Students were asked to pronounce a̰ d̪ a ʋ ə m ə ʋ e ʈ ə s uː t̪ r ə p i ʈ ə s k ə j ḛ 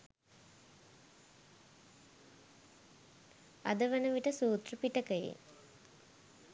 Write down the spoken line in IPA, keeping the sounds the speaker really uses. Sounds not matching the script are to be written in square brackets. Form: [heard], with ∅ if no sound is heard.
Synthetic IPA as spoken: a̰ d̪ [ə] ʋ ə [n] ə ʋ [i] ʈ ə s uː t̪ r ə p i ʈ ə [∅] k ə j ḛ